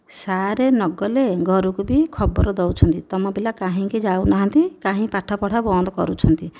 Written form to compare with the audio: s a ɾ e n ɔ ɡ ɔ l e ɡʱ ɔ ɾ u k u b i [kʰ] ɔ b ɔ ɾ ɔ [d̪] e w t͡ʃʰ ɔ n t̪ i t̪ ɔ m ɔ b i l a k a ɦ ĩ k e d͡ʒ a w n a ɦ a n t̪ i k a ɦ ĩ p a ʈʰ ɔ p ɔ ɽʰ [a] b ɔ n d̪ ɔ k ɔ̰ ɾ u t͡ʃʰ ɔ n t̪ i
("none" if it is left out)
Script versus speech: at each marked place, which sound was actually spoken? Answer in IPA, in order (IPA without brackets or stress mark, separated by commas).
kʰ, d̪, a